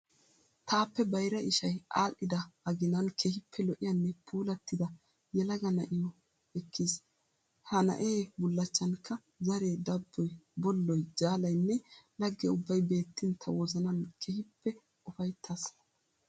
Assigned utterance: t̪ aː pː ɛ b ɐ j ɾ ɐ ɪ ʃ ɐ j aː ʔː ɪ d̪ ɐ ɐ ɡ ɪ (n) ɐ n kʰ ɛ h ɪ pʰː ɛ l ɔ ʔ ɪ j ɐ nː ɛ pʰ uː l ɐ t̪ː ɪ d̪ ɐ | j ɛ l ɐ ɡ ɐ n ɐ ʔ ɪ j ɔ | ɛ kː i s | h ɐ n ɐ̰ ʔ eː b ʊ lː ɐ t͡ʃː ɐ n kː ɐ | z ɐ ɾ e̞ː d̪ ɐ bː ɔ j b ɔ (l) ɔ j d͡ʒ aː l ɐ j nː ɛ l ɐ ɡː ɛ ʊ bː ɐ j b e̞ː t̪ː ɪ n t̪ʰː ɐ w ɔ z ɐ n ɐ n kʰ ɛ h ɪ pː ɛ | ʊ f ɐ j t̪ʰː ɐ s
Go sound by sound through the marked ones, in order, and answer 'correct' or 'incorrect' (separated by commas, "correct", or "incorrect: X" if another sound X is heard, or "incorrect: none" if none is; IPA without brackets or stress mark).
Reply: correct, incorrect: lː